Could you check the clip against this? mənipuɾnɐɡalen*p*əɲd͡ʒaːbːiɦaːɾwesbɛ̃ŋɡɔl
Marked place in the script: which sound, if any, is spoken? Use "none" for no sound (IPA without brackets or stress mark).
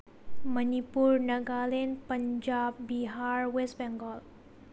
p